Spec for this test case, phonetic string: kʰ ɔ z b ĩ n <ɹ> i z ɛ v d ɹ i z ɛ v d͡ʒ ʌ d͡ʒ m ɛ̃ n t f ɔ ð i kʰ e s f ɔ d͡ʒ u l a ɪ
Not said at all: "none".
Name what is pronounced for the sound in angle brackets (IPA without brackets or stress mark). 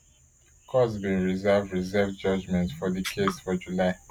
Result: ɹ